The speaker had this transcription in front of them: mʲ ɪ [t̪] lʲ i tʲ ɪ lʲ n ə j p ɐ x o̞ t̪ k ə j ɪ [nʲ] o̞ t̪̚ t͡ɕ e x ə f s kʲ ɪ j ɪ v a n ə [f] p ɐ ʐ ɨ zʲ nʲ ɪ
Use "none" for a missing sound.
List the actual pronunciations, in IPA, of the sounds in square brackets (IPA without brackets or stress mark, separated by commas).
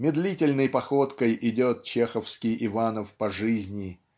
d̪, dʲ, f